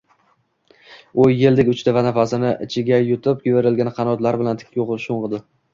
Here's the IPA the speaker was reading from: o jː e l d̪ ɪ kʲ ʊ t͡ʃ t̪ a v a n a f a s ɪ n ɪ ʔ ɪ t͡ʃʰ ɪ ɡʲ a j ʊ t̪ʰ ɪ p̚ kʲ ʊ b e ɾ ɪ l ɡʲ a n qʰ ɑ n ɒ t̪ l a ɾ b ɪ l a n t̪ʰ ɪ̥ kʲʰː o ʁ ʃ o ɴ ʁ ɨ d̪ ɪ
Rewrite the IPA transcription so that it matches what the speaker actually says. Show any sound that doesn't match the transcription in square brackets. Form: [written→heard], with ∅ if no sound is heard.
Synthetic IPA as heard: o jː e l d̪ ɪ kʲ ʊ t͡ʃ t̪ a v a n a f a s ɪ n ɪ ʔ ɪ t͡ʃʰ ɪ ɡʲ a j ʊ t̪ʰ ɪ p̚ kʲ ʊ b e ɾ ɪ l ɡʲ a n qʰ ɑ n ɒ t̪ l a ɾ b ɪ l a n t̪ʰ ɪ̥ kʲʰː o ʁ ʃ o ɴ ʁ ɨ d̪ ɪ